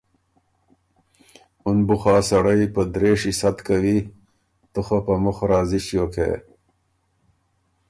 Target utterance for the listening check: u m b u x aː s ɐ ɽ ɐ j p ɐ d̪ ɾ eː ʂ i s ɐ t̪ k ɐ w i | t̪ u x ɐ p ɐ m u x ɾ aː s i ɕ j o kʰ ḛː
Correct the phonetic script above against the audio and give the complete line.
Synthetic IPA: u n b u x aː s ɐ ɽ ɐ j p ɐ d̪ ɾ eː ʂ i s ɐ t̪ k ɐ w i | t̪ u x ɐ p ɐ m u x ɾ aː z i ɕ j o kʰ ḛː